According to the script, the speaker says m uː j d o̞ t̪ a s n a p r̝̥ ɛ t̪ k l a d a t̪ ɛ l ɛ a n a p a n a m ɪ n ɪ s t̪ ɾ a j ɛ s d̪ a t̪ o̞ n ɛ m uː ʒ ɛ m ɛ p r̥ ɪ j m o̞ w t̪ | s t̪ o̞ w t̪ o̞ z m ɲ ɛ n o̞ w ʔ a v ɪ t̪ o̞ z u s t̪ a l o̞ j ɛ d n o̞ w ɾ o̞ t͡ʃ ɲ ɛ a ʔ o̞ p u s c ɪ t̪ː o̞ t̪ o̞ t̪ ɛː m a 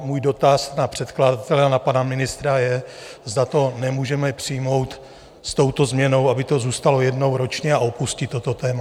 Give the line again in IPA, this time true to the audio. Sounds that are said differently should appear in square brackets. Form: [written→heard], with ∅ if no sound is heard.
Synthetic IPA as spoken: m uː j d o̞ t̪ a s n a p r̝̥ ɛ t̪ k l a d a t̪ ɛ l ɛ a n a p a n a m ɪ n ɪ s t̪ ɾ a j ɛ [s→z] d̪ a t̪ o̞ n ɛ m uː ʒ ɛ m ɛ p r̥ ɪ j m o̞ w t̪ | s t̪ o̞ w t̪ o̞ z m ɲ ɛ n o̞ w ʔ a [v→b] ɪ t̪ o̞ z [u→uː] s t̪ a l o̞ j ɛ d n o̞ w ɾ o̞ t͡ʃ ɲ ɛ a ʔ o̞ p u s c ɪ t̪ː o̞ t̪ o̞ t̪ ɛː m a

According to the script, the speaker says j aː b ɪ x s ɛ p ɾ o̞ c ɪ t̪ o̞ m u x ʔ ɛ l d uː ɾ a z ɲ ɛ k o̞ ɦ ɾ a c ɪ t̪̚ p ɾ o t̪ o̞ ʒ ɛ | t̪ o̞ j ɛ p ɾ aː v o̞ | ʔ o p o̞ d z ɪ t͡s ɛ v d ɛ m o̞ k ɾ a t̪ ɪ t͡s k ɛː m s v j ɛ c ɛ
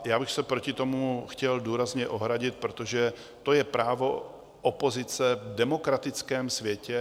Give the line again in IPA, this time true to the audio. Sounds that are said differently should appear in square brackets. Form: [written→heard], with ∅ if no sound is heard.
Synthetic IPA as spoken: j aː b ɪ x s ɛ p ɾ o̞ c ɪ t̪ o̞ m u x [ʔ→c] ɛ l d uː ɾ a z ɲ ɛ [k→ʔ] o̞ ɦ ɾ a [c→ɟ] ɪ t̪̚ p ɾ o t̪ o̞ ʒ ɛ | t̪ o̞ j ɛ p ɾ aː v o̞ | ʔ o p o̞ [d→∅] z ɪ t͡s ɛ v d ɛ m o̞ k ɾ a t̪ ɪ t͡s k ɛː m s v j ɛ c ɛ

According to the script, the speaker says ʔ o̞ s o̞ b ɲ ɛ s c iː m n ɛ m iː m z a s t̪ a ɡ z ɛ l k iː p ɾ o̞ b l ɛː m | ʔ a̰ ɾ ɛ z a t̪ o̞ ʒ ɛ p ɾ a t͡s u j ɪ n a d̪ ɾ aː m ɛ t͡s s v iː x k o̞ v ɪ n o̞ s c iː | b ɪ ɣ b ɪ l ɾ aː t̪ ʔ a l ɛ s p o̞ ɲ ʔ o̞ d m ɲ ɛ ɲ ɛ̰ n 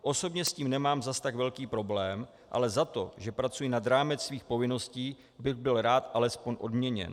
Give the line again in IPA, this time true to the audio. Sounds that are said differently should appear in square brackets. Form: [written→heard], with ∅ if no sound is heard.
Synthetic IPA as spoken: ʔ o̞ s o̞ b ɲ ɛ s c iː m n ɛ m [iː→aː] m z a s t̪ a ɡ [z→v] ɛ l k iː p ɾ o̞ b l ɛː m | ʔ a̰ [ɾ→l] ɛ z a t̪ o̞ ʒ ɛ p ɾ a t͡s u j ɪ n a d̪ ɾ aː m ɛ t͡s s v iː x [k→p] o̞ v ɪ n o̞ s c iː | b ɪ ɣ b ɪ l ɾ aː t̪ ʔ a l ɛ s p o̞ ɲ ʔ o̞ d m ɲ ɛ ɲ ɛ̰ n

